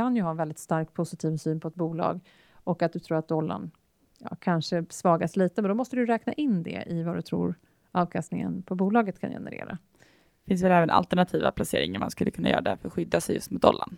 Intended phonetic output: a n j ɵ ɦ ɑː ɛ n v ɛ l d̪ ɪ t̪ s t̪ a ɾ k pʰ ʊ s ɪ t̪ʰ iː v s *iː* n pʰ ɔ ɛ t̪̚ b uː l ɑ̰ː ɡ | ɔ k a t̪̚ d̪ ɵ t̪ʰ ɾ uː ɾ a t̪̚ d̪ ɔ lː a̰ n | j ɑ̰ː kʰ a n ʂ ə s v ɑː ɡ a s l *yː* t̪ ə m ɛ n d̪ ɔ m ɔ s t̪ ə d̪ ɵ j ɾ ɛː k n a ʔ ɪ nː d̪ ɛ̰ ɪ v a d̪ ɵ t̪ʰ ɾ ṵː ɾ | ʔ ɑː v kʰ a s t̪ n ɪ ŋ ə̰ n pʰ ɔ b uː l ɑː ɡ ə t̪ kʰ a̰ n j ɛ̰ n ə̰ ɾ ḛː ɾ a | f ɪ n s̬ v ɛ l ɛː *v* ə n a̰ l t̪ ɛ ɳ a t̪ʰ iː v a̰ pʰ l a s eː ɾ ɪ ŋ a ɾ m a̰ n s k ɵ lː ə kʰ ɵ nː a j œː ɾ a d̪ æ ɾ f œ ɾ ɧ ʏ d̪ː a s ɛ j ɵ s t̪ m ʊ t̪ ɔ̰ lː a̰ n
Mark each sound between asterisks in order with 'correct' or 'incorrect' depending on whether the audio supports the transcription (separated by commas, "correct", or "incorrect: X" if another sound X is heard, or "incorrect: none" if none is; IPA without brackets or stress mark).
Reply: incorrect: yː, incorrect: iː, correct